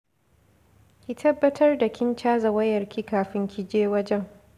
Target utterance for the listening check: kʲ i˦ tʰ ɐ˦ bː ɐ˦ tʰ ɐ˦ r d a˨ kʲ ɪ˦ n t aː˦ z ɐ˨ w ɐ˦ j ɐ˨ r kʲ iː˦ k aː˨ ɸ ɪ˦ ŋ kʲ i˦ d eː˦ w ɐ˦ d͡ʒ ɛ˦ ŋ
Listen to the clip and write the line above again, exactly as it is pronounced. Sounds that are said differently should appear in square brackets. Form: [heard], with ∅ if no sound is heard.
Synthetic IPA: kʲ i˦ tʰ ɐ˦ bː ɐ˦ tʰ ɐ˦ r d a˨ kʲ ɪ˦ n [t͡ʃ] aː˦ z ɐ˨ w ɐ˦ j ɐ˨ r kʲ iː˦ k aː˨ ɸ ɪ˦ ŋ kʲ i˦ [d͡ʒ] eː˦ w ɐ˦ d͡ʒ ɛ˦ ŋ